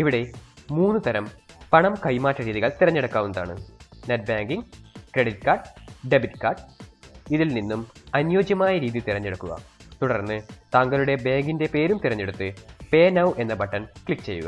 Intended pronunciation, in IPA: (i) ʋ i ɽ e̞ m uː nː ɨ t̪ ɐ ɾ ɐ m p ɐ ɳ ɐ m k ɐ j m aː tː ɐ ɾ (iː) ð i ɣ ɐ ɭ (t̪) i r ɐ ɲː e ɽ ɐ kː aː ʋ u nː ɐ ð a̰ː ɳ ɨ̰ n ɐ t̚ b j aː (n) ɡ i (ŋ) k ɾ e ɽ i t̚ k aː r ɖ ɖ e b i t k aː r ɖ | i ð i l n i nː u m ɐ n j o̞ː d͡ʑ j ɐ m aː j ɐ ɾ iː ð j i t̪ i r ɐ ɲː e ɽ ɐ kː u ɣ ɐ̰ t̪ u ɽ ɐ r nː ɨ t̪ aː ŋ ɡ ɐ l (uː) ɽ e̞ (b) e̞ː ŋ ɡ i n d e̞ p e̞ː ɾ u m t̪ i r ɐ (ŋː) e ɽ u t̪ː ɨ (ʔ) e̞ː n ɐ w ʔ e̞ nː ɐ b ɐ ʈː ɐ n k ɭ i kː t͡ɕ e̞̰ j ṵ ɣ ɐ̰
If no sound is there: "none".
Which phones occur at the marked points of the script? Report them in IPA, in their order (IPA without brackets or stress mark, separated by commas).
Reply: i, iː, t̪, ŋ, ŋ, u, b, ɲː, p